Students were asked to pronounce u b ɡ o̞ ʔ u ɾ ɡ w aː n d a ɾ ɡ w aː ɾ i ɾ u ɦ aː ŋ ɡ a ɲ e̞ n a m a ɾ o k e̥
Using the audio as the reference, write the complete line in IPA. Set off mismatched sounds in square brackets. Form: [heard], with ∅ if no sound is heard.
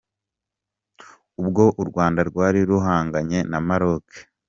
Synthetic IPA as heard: u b ɡ o̞ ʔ u ɾ ɡ w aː n d a ɾ ɡ w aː ɾ i ɾ u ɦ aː ŋ ɡ a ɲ e̞ n a m a ɾ o k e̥